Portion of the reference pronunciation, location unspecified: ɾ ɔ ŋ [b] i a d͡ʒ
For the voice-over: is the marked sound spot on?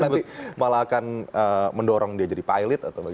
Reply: no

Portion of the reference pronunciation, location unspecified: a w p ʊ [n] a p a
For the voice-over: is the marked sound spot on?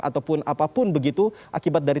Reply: yes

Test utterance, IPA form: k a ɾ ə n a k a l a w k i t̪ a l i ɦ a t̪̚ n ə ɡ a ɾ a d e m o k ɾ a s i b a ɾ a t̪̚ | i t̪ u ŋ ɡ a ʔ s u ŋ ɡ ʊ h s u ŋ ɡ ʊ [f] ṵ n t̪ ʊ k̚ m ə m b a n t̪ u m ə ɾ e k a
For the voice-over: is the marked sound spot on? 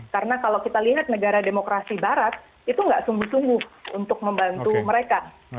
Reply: no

